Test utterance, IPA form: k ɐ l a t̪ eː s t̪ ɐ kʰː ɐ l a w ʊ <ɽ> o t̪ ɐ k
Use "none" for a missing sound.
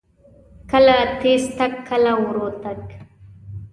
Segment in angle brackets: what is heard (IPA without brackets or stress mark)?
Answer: ɾ